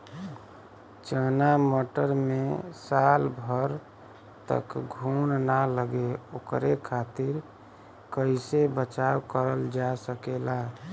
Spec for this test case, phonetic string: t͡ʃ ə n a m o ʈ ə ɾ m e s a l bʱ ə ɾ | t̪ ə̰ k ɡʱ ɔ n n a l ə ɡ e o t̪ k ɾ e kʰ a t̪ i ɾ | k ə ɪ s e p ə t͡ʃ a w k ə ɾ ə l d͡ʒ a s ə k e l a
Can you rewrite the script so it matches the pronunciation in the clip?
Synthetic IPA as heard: t͡ʃ ə n a m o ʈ ə ɾ m e s a l bʱ ə ɾ | t̪ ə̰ k ɡʱ u n n a l ə ɡ e o k ɾ e kʰ a t̪ i ɾ | k ə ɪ s e b ə t͡ʃ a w k ə ɾ ə l d͡ʒ a s ə k e l a